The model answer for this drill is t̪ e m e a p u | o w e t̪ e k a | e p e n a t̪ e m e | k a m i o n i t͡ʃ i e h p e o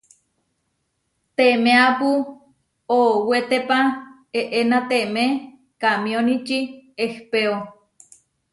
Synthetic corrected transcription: t̪ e m e a p u | o w e t̪ e p a | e ʔ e n a t̪ e m e | k a m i o n i t͡ʃ i e h p e o